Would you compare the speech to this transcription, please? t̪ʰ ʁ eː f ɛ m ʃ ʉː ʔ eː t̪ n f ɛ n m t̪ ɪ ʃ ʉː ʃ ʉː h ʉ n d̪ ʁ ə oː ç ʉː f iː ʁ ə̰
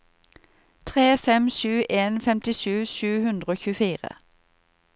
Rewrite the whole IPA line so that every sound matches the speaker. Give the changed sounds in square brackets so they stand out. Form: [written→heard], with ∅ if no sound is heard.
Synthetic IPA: t̪ʰ ʁ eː f ɛ m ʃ ʉː ʔ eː [t̪→∅] n f ɛ [n→∅] m t̪ ɪ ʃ ʉː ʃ ʉː h ʉ n d̪ ʁ ə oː ç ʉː f iː ʁ ə̰